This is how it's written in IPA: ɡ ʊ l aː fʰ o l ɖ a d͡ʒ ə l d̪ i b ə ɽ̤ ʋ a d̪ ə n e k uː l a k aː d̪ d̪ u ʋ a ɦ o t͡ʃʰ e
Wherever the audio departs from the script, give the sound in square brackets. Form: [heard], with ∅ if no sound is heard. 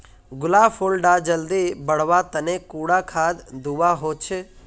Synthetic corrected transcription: ɡ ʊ l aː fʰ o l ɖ a d͡ʒ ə l d̪ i b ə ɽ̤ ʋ a [t̪] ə n e k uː [ɽ] a [kʰ] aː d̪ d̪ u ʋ a ɦ o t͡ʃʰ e